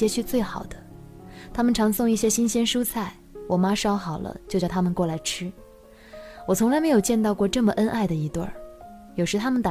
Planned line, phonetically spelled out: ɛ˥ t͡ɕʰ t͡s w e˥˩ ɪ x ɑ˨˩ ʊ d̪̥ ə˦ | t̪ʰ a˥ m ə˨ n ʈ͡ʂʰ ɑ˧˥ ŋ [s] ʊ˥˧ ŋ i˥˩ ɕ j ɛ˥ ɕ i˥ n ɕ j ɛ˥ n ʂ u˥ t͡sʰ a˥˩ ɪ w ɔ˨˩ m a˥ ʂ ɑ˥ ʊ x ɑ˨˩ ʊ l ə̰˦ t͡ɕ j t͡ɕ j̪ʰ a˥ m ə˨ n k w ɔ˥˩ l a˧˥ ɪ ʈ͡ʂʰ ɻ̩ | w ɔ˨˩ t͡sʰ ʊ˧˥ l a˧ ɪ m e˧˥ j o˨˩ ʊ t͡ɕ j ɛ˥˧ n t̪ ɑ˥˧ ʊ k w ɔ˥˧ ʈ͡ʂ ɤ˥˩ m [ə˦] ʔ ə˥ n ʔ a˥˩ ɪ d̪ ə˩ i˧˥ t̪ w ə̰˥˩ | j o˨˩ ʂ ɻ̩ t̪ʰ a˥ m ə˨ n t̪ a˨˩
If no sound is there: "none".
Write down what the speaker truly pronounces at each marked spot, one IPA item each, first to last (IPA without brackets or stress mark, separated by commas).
s, ə˩